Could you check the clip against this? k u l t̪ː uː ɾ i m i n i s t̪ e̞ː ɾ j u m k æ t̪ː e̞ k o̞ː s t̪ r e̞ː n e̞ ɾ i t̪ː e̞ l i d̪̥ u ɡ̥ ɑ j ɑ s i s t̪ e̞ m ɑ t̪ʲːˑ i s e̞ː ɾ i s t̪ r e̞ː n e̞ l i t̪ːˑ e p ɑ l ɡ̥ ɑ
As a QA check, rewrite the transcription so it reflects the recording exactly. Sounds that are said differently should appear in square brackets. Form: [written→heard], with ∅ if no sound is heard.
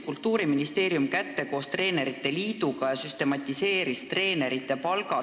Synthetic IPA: k u l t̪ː uː ɾ i m i n i s t̪ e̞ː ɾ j u m k æ t̪ː e̞ k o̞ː s t̪ r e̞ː n e̞ ɾ i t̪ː e̞ l [i→iː] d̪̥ u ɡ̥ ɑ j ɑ s [i→y] s t̪ e̞ m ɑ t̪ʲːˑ i s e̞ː ɾ i s t̪ r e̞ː n e̞ [l→ɾ] i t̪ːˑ e p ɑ l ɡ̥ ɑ

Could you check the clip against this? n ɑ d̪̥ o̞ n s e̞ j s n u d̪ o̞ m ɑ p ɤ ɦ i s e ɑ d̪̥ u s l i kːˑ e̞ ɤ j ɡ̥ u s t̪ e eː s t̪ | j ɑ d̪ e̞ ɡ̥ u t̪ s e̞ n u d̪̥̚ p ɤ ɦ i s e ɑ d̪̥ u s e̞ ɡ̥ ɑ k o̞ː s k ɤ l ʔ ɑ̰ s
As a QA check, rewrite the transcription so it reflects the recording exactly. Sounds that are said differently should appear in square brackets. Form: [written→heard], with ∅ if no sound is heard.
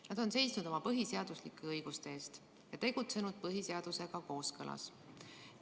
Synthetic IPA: n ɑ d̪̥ o̞ n s e̞ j s n u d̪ o̞ m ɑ p ɤ ɦ i s e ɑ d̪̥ u s l i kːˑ e̞ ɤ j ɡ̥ u s t̪ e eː s t̪ | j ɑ [d̪→t̪] e̞ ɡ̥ u t̪ s e̞ n u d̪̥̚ p ɤ ɦ i s e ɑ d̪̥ u s e̞ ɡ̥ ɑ k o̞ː s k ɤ l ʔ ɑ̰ s

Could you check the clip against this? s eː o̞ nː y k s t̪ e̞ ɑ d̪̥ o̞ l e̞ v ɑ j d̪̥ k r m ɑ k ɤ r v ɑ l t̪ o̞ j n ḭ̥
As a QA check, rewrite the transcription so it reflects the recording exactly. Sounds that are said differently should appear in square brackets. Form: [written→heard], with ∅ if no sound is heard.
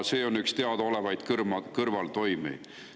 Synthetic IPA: s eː o̞ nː y k s t̪ e̞ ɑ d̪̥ o̞ l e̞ v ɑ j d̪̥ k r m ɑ k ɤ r v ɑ l t̪ o̞ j [n→m] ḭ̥

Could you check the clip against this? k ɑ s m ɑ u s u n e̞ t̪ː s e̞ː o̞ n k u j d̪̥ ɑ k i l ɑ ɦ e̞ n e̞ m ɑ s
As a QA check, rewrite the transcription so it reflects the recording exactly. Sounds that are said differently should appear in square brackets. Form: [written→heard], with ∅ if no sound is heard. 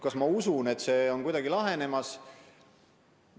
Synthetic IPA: k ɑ s m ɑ u s u n e̞ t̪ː s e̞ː o̞ n k u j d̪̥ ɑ [k→ɡ] i l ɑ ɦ e̞ n e̞ m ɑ s

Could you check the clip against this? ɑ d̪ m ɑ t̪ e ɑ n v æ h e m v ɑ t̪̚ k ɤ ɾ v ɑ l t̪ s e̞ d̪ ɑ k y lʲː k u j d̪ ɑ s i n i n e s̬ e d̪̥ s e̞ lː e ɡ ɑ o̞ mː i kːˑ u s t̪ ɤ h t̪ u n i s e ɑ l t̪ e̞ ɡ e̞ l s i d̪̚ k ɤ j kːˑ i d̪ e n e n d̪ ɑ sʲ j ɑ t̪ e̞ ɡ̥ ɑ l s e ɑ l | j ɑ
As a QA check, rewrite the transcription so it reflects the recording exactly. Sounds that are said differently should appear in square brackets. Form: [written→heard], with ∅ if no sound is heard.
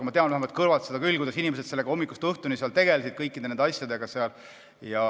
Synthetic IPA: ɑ [d̪→∅] m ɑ t̪ e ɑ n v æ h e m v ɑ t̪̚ k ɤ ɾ v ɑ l t̪ s e̞ d̪ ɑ k y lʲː k u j d̪ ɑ s i n i [n→m] e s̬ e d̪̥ s e̞ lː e ɡ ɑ o̞ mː i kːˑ u s t̪ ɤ h t̪ u n i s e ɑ l t̪ e̞ ɡ e̞ l s i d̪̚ k ɤ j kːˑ i d̪ e n e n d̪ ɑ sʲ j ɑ [t̪→d̪] e̞ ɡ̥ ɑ [l→∅] s e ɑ l | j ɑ

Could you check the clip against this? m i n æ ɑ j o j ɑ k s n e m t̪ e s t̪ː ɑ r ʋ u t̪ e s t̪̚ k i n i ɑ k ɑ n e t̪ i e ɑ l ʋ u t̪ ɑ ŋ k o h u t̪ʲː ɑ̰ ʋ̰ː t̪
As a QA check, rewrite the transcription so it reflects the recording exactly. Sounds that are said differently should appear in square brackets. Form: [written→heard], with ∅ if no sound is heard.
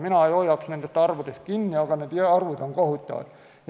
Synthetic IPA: m i n æ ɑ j o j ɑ k s n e [m→n] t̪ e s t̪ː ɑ r ʋ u t̪ e s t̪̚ k i [n→nː] i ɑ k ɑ n e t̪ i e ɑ [l→r] ʋ u t̪ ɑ ŋ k o h u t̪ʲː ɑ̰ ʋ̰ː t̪

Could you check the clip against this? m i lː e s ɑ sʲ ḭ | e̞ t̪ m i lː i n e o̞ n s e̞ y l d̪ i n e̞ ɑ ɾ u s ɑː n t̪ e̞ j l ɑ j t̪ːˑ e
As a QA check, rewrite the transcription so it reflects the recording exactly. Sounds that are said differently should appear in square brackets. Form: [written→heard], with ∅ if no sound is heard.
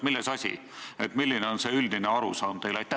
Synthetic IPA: m i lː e s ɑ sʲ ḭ | e̞ t̪ m i lː i n e o̞ n s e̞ y l d̪ i n e̞ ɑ ɾ u s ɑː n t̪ e̞ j l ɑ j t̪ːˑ [e→æ]

